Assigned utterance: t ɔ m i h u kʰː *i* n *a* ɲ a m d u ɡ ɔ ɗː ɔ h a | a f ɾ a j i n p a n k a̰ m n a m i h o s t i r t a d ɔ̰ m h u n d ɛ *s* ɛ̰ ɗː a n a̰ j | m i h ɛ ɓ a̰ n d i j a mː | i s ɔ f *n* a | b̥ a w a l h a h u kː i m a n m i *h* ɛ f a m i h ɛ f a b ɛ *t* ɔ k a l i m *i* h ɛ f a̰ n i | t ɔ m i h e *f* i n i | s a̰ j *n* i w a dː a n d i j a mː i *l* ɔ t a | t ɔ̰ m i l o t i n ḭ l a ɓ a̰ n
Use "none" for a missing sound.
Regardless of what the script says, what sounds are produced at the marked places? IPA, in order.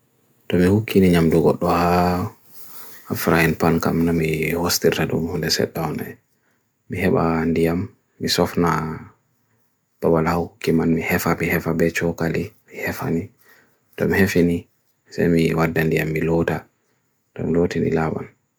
i, i, s, n, h, t͡ʃ, i, f, m, l

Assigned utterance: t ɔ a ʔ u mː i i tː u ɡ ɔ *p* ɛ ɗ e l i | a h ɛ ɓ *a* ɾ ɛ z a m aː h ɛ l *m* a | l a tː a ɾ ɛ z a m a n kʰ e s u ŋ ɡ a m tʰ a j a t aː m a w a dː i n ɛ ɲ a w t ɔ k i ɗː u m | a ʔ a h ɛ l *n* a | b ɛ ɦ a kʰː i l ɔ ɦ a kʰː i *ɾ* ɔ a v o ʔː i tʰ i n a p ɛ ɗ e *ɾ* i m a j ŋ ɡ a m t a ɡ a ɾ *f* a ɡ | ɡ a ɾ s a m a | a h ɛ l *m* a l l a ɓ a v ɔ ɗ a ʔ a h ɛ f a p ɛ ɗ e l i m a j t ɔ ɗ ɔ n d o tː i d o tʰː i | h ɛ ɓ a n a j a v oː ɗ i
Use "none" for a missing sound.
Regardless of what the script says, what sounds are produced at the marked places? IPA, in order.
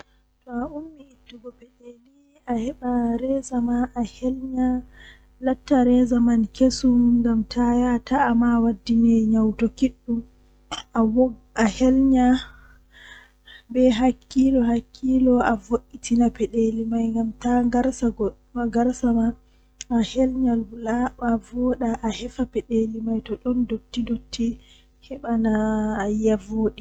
p, a, ɲ, ɲ, l, l, s, ɲ

